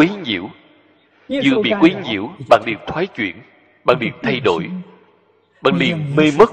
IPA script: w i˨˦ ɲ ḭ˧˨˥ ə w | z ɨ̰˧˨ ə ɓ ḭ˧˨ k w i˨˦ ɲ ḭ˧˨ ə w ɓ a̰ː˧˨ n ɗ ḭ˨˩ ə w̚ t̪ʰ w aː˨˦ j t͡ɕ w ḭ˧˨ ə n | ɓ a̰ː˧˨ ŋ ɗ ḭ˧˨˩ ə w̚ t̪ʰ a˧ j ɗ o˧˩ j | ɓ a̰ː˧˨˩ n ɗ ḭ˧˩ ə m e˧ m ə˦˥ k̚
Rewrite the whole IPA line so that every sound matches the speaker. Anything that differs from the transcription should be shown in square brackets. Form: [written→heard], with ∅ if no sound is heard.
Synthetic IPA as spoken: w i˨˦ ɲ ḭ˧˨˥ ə w | z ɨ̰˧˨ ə ɓ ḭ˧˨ k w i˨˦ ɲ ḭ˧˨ ə w ɓ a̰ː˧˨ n ɗ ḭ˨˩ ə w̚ t̪ʰ w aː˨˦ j t͡ɕ w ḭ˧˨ ə n | ɓ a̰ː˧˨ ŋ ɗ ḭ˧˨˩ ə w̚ t̪ʰ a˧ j ɗ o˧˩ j | ɓ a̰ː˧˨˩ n ɗ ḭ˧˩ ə m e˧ m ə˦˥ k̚